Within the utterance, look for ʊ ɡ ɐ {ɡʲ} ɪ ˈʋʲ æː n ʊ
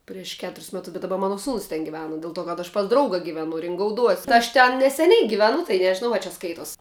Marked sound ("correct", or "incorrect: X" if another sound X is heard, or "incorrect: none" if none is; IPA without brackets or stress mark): correct